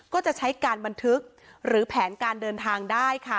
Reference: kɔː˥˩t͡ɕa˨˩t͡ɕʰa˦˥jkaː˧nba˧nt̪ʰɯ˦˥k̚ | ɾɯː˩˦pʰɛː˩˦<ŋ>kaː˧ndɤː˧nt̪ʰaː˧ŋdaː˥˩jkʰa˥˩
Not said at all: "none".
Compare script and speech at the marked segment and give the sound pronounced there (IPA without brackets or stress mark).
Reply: n